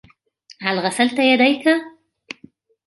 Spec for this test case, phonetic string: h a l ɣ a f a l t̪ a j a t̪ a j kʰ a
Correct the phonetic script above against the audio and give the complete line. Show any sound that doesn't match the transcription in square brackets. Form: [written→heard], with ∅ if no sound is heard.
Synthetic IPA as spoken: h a l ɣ a [f→s] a l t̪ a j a [t̪→d̪] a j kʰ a